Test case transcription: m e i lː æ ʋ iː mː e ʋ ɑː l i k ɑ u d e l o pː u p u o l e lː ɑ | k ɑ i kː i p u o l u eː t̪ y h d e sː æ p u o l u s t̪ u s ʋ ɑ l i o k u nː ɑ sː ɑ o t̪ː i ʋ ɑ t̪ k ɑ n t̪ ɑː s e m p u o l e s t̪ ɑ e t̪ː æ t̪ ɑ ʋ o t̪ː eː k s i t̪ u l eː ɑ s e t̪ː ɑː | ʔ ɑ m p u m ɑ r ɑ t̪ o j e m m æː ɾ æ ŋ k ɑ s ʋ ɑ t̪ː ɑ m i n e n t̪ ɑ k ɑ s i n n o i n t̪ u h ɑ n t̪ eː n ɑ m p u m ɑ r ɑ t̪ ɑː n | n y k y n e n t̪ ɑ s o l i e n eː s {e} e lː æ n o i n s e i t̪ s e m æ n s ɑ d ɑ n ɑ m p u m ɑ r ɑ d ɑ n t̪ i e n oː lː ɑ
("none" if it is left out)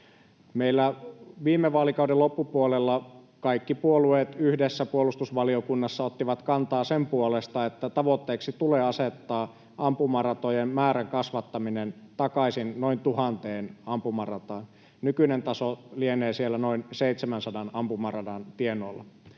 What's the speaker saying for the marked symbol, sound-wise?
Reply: i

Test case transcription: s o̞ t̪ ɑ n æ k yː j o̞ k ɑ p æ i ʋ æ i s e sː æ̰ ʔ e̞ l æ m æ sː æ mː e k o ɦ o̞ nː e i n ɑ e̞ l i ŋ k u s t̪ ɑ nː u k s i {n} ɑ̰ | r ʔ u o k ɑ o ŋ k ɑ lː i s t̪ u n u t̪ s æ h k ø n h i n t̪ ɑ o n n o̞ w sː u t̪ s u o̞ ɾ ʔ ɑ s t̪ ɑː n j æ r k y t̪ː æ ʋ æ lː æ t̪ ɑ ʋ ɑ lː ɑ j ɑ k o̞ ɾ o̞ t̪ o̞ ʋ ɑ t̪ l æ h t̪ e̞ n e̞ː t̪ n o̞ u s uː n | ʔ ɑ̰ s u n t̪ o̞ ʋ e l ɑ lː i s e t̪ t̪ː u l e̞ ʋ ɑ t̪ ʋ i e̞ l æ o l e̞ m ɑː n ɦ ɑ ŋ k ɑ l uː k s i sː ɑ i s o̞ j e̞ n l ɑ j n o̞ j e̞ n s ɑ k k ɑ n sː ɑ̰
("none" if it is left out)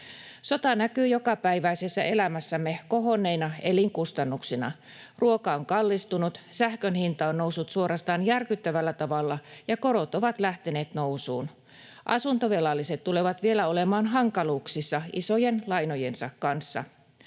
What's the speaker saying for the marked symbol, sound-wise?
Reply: n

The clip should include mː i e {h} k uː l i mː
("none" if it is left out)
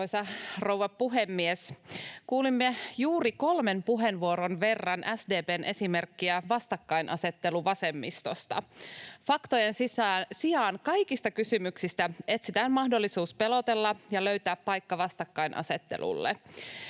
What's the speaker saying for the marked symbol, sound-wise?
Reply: s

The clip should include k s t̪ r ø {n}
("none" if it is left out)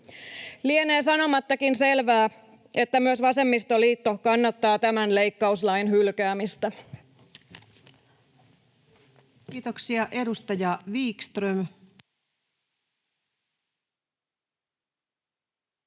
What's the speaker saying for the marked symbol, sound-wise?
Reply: m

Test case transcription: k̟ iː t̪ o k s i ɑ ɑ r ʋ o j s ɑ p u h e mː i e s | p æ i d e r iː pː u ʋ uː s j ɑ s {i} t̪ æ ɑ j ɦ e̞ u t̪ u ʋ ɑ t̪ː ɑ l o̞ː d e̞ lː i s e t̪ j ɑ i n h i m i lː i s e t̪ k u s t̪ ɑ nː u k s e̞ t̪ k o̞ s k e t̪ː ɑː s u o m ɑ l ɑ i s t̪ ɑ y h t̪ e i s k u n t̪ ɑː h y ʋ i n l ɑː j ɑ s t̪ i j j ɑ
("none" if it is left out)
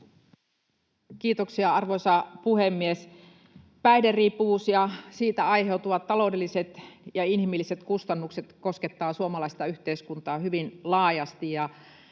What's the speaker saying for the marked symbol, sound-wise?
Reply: iː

